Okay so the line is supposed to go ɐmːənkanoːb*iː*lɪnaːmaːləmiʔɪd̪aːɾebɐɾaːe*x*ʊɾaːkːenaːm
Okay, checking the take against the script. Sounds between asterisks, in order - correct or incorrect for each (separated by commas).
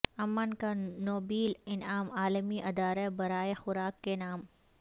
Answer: correct, correct